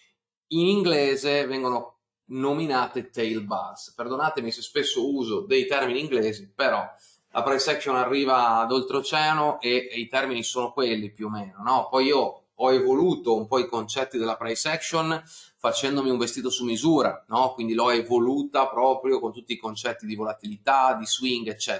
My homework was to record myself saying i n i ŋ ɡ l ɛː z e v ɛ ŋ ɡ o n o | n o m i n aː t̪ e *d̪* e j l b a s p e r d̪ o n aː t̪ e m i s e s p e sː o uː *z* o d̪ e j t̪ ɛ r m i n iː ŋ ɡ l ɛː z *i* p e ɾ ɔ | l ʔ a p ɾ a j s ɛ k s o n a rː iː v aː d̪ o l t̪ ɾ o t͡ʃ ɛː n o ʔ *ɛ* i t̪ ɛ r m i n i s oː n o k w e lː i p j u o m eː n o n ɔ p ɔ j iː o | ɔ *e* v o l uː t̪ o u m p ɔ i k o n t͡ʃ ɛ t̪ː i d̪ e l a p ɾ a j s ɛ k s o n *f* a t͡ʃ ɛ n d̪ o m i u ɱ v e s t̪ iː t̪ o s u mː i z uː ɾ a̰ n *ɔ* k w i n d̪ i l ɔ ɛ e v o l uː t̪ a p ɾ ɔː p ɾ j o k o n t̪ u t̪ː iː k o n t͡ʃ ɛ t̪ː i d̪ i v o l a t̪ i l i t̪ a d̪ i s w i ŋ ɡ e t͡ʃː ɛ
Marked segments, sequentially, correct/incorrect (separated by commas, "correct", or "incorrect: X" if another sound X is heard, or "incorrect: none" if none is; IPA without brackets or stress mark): incorrect: t̪, correct, correct, incorrect: e, correct, correct, correct